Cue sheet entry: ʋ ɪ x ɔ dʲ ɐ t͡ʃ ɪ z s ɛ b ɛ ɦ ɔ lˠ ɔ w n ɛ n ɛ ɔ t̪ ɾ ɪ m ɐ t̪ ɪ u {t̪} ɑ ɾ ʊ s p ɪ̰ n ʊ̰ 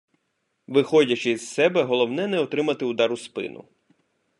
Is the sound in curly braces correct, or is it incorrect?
incorrect